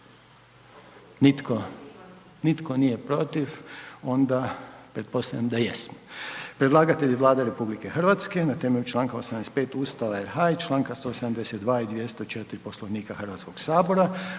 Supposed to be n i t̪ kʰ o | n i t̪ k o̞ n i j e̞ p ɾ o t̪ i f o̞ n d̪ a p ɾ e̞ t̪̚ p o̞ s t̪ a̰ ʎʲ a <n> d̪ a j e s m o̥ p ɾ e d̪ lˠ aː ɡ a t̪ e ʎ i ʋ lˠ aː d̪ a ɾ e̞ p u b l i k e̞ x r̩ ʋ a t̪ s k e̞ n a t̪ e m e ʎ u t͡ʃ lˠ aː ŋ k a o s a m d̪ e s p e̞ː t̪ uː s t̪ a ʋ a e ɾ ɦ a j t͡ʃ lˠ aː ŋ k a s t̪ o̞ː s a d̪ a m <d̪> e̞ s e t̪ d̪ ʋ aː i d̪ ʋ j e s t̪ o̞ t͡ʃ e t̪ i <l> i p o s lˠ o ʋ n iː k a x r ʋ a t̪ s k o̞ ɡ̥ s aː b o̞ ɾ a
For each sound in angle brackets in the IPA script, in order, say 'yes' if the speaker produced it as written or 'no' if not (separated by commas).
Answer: no, yes, no